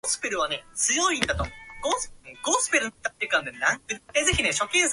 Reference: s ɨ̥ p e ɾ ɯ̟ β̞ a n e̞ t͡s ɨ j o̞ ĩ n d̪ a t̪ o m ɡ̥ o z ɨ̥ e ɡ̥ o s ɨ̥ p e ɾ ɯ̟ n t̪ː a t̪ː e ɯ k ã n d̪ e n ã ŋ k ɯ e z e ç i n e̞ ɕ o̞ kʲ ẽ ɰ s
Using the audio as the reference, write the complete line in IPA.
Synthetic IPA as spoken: s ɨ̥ p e ɾ ɯ̟ β̞ a n e̞ t͡s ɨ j o̞ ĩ n d̪ a t̪ o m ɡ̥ o s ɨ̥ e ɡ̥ o s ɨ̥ p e ɾ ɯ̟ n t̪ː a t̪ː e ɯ k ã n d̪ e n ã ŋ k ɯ e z e ç i n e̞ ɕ o̞ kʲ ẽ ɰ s